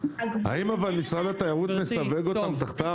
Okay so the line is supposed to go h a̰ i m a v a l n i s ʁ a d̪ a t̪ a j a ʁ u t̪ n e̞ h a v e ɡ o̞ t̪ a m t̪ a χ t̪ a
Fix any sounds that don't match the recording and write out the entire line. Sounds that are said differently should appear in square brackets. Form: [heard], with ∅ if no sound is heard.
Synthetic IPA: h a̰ i m a v a l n i s ʁ a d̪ a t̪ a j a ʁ u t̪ n e̞ [s] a v e ɡ o̞ t̪ a m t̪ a χ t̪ a